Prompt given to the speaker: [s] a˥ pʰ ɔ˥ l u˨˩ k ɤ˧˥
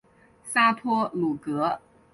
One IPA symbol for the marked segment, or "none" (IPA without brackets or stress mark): s